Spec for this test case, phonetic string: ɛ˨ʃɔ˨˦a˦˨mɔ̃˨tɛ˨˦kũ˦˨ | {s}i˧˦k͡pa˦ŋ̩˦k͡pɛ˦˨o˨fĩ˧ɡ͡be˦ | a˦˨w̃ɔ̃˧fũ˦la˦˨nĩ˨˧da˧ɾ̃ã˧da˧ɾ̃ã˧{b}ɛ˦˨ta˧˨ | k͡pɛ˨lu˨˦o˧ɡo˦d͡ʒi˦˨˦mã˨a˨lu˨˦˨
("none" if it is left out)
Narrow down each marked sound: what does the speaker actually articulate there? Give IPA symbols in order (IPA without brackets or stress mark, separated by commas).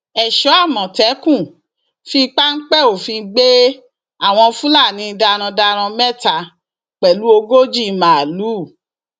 f, m